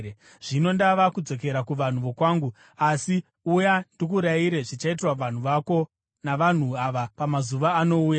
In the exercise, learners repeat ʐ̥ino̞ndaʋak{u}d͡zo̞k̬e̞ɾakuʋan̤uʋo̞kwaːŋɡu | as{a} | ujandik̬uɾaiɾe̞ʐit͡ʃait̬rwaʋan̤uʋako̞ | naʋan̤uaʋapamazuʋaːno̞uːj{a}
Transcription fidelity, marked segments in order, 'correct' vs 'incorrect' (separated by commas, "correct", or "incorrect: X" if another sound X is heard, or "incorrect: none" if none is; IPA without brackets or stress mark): correct, incorrect: i, correct